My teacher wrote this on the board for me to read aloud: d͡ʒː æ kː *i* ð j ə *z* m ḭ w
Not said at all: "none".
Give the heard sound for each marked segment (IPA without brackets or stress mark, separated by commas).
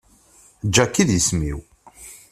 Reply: i, s